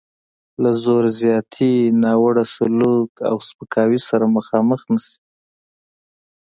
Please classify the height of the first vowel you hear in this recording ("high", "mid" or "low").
low